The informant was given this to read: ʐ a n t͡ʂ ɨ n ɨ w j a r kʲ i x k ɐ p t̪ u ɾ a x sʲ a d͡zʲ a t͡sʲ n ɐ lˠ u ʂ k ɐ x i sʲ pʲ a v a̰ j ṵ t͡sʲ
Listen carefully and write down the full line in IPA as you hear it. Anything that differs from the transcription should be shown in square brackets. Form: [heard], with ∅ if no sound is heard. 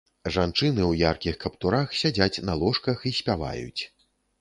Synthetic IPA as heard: ʐ a n t͡ʂ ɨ n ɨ w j a r kʲ i x k ɐ p t̪ u ɾ a x sʲ a d͡zʲ a t͡sʲ n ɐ lˠ [ɔ] ʂ k ɐ x i sʲ pʲ a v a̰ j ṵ t͡sʲ